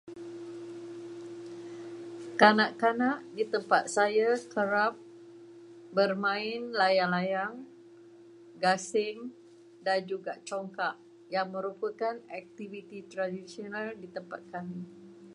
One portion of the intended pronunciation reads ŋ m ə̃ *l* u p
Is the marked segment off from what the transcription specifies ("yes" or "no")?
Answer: yes